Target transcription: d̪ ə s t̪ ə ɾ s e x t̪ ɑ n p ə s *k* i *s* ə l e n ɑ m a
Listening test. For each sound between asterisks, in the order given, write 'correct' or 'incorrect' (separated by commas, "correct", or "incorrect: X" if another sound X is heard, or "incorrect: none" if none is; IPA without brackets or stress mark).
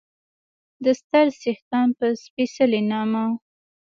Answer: incorrect: p, correct